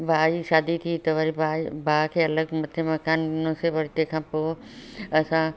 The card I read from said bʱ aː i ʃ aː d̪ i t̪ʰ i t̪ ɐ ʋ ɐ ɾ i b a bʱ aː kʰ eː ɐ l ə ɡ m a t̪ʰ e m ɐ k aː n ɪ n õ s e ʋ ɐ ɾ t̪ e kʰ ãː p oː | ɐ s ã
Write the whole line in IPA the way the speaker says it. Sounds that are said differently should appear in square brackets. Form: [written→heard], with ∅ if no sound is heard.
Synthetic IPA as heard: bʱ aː i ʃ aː d̪ i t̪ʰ i t̪ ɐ ʋ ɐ ɾ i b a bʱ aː kʰ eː ɐ l ə ɡ m [a→ɐ] t̪ʰ e m ɐ k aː n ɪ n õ s e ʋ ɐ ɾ t̪ e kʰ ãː p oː | ɐ s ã